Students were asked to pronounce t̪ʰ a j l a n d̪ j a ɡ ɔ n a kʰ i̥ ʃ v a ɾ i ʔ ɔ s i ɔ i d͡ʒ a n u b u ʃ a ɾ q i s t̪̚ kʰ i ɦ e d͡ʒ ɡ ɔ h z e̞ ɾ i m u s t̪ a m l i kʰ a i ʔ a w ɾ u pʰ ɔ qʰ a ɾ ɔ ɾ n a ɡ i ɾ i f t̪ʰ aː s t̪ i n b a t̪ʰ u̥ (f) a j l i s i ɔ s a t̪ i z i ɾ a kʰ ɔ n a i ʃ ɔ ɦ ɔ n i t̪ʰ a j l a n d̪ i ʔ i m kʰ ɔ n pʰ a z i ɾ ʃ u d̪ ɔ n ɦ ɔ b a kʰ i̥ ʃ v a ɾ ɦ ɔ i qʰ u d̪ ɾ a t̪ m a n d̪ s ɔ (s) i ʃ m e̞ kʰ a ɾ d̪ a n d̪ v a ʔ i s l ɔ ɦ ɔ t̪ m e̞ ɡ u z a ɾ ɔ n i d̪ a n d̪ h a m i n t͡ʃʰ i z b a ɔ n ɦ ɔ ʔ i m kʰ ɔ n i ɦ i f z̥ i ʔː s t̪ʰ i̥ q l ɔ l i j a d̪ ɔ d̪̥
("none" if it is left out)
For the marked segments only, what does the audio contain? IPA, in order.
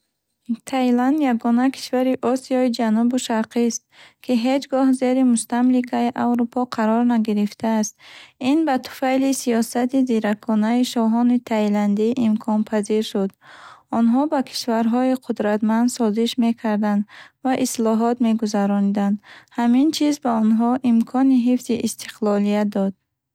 f, z

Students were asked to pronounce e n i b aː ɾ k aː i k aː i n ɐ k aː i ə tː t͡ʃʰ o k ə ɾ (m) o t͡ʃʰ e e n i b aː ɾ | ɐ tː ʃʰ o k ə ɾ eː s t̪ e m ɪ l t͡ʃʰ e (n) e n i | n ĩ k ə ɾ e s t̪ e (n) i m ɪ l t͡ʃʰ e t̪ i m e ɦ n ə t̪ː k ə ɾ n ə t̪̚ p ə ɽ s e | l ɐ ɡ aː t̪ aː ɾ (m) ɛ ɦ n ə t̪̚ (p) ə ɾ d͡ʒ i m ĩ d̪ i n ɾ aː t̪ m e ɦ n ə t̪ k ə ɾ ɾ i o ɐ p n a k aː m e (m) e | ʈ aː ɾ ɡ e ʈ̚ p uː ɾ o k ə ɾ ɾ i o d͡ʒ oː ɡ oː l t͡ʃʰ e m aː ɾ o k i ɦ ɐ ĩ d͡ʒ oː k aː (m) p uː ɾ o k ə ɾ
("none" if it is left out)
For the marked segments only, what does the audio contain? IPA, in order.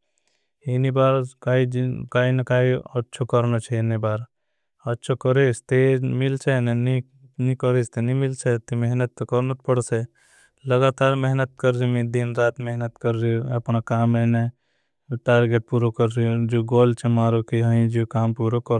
n, n, n, m, k, n, m

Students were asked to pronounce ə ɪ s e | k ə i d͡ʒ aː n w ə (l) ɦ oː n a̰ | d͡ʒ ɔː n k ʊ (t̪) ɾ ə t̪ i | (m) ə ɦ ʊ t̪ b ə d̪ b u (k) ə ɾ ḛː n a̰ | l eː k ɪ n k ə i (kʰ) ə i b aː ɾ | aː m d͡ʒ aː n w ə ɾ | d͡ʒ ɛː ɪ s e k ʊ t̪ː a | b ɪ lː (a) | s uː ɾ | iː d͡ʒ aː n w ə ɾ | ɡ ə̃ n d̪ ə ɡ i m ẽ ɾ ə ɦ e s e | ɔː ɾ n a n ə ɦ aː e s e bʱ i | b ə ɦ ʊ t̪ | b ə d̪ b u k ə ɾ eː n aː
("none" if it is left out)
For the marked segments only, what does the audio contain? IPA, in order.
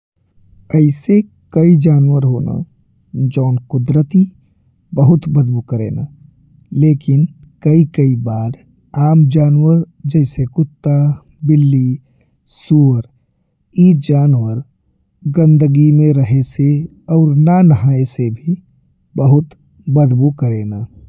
ɾ, d̪, b, k, k, i

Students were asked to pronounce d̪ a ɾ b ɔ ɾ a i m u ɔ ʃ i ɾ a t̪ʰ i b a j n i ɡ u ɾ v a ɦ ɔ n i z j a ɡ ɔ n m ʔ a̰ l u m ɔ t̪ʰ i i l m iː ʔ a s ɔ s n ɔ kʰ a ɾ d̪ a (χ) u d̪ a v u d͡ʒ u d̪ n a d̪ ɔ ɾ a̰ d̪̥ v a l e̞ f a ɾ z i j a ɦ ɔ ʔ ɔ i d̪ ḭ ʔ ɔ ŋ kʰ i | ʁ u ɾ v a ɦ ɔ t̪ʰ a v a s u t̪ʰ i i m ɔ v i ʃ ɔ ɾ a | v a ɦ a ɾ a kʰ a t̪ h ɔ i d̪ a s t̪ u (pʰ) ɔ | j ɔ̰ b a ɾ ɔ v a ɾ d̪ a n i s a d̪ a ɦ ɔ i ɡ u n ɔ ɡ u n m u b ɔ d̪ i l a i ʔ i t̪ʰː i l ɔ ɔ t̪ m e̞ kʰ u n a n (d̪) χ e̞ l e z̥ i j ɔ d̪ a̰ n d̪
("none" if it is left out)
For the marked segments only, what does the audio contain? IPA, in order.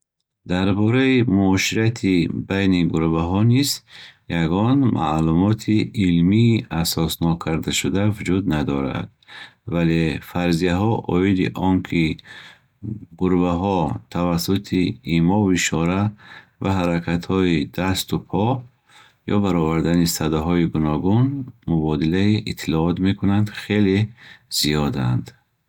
ʃ, pʰ, d̪

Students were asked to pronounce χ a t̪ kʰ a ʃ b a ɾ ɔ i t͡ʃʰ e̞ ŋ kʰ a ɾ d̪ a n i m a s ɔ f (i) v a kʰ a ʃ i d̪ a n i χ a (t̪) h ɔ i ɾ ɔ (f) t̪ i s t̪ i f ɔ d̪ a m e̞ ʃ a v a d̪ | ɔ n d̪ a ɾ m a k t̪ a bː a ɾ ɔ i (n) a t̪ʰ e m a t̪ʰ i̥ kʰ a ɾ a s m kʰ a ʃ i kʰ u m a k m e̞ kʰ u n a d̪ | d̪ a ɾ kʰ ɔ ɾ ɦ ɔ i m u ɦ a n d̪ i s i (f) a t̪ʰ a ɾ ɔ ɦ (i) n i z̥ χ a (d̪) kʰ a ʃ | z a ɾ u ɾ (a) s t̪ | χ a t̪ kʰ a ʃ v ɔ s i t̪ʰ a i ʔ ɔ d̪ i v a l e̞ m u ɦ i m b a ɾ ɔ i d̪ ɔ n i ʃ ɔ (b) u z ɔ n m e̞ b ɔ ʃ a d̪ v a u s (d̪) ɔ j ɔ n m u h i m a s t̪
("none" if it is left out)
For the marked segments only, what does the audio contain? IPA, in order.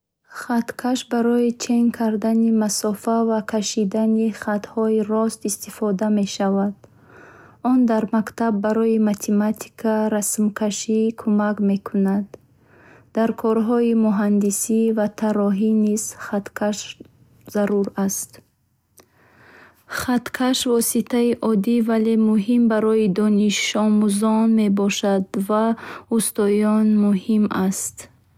a, t̪, s, m, v, i, t̪, a, m, t̪

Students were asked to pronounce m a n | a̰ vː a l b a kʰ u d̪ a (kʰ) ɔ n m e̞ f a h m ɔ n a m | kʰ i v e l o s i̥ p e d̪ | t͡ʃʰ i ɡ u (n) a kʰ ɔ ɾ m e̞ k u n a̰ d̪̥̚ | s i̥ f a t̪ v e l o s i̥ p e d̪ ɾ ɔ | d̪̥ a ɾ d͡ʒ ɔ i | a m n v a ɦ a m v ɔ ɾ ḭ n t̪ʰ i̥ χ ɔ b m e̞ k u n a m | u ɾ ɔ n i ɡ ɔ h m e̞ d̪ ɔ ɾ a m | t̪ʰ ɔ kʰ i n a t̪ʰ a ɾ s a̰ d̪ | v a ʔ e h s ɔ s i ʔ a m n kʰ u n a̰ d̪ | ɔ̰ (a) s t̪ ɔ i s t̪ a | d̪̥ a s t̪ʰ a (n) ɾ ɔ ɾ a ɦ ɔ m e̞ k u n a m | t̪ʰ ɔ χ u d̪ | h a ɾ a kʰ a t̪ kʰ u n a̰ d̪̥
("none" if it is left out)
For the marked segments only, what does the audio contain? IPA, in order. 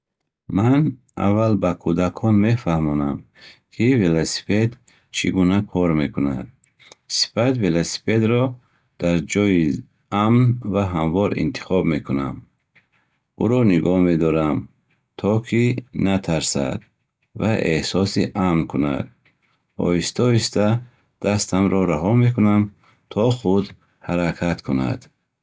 kʰ, n, i, m

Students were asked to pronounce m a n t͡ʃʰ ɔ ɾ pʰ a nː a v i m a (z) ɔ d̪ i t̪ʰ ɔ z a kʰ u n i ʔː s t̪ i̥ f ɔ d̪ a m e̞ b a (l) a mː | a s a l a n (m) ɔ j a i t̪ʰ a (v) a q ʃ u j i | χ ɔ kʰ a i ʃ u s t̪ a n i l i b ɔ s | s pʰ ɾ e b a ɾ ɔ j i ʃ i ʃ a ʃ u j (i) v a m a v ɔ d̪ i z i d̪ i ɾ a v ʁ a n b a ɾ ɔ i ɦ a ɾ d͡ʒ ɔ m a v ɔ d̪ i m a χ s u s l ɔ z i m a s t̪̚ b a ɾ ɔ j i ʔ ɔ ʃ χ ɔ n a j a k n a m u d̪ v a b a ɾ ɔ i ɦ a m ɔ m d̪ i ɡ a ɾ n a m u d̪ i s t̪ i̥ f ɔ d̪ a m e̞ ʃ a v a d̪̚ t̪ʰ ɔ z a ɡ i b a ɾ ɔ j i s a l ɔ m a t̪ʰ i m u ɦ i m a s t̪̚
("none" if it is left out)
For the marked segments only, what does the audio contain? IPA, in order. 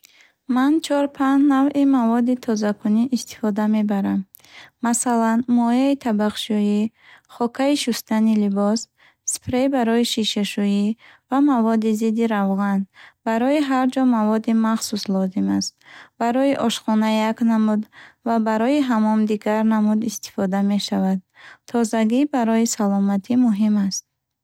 v, ɾ, m, b, i

